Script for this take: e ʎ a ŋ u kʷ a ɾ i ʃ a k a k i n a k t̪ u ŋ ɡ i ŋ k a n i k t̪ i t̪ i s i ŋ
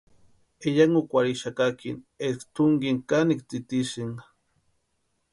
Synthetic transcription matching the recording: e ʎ a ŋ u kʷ a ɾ i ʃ a k a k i n e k t̪ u ŋ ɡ i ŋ k a n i k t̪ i t̪ i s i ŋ